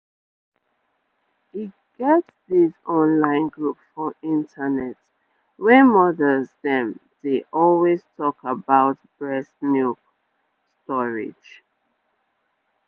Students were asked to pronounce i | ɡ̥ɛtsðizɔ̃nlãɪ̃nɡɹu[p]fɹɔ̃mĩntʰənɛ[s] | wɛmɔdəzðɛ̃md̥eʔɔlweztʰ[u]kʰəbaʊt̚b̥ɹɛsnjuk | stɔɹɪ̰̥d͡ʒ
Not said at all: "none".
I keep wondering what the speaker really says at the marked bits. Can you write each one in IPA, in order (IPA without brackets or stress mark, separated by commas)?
p, t, ɔ